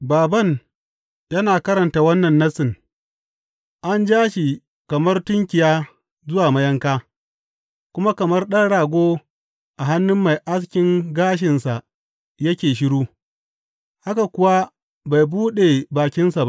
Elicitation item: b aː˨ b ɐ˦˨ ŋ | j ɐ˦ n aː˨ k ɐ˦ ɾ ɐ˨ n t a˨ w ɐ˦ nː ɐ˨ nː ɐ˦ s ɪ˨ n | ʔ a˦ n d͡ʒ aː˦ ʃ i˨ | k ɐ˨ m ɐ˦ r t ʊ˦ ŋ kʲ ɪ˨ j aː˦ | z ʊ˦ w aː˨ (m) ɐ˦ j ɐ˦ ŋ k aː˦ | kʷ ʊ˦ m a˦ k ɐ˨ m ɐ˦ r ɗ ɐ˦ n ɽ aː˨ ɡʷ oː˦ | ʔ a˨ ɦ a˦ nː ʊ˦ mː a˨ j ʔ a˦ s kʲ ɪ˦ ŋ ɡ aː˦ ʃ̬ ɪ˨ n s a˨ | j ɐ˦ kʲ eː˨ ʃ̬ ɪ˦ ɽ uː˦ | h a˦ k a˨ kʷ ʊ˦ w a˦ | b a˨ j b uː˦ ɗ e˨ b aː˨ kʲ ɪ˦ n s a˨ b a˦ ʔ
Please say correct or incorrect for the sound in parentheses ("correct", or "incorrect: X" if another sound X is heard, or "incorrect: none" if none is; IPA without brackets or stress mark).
correct